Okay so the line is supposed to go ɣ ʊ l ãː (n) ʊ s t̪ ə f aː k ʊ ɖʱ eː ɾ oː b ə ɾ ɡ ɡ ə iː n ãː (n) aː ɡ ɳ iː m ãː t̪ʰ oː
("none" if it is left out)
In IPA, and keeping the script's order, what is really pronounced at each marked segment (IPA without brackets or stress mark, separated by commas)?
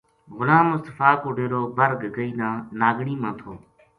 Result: m, n